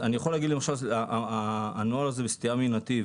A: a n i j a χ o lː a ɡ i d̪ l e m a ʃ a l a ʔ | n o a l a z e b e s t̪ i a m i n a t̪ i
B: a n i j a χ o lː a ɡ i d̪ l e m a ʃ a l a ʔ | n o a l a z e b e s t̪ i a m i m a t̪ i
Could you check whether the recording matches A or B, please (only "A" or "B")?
A